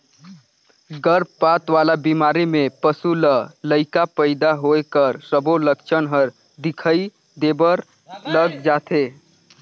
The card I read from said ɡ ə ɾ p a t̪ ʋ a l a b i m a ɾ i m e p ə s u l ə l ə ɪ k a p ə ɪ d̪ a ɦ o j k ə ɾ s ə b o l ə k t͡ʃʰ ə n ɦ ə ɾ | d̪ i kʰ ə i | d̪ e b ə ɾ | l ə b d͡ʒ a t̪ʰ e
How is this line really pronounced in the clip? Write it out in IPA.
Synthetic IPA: ɡ ə ɾ p a t̪ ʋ a l a b i m a ɾ i m e p ə s u l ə l ə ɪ k a p ə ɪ d̪ a ɦ o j k ə ɾ s ə b o l ə k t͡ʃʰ ə n ɦ ə ɾ | d̪ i kʰ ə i | d̪ e b ə ɾ | l ə ɡ d͡ʒ a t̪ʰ e